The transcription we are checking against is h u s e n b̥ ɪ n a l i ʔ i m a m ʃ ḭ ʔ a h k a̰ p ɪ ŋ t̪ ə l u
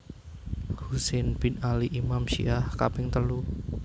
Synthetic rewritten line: h u s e n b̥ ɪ n a l i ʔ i m a m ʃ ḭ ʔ a h k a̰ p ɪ ŋ t̪ ə l u